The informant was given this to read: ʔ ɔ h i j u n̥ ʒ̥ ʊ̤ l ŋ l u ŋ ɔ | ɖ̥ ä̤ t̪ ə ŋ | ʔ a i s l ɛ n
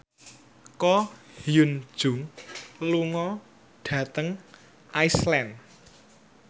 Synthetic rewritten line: k ɔ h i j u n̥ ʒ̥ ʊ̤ ŋ l u ŋ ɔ | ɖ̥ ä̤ t̪ ə ŋ | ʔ a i s l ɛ n

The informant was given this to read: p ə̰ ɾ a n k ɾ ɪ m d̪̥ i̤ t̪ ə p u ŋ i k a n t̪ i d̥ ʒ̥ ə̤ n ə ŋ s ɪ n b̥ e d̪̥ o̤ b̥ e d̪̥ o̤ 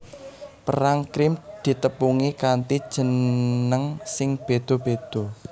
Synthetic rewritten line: p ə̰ ɾ a ŋ k ɾ ɪ m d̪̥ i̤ t̪ ə p u ŋ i k a n t̪ i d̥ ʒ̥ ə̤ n ə ŋ s ɪ ŋ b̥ e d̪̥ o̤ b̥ e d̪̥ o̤

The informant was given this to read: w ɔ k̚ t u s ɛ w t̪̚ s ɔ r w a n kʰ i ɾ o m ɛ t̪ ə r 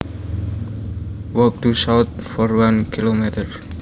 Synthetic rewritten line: w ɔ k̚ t u s a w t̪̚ f ɔ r w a n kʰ i l o m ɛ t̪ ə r

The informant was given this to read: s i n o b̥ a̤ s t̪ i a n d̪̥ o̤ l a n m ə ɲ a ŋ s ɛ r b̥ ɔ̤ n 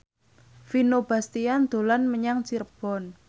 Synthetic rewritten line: f i n o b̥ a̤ s t̪ i a n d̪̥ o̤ l a n m ə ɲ a ŋ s i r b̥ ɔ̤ n

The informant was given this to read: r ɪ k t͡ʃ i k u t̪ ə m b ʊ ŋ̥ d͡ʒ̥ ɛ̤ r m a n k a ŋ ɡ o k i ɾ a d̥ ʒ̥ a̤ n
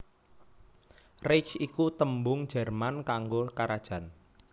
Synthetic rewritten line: r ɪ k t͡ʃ i k u t̪ ə m b ʊ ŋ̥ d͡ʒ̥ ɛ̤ r m a n k a ŋ ɡ o k a ɾ a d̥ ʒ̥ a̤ n

